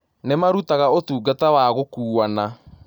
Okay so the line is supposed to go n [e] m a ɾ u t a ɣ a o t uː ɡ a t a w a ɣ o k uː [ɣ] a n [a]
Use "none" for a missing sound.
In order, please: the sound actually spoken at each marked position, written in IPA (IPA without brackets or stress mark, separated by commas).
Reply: e, none, a